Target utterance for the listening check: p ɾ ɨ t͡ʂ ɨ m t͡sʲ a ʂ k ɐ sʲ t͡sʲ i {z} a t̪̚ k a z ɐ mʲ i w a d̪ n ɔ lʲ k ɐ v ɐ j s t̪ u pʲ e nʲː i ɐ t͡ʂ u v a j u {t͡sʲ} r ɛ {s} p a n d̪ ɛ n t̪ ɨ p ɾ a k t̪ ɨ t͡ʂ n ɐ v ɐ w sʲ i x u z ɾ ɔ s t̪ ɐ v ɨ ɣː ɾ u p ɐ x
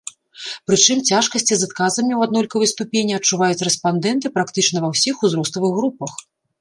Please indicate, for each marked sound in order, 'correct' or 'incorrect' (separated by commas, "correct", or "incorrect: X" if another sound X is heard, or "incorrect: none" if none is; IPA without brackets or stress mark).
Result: correct, correct, correct